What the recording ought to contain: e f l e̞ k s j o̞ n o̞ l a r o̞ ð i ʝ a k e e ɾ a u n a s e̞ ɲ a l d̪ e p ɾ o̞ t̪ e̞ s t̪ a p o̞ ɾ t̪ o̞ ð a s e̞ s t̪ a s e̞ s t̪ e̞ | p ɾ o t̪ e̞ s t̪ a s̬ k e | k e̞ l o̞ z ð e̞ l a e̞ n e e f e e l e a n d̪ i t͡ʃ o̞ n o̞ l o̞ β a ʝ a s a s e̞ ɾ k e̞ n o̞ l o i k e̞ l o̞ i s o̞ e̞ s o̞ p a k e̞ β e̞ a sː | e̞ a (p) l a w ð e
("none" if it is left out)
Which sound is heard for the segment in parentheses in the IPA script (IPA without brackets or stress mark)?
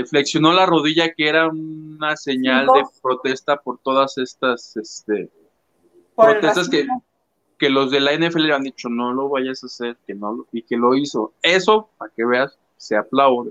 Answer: p